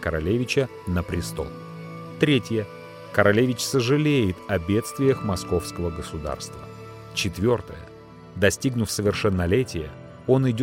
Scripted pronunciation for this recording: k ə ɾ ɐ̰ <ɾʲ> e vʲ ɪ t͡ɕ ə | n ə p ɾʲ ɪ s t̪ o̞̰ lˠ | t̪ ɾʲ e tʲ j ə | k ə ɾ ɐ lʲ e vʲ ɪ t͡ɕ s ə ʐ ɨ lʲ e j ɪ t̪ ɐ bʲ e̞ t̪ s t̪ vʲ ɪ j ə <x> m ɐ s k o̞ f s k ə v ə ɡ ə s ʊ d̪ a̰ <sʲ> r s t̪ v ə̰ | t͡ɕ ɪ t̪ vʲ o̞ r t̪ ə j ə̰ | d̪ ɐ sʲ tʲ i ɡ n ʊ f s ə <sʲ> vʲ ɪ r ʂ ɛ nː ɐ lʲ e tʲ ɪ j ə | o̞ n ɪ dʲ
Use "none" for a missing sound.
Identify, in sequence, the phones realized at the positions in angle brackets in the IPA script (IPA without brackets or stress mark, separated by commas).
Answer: lʲ, x, none, none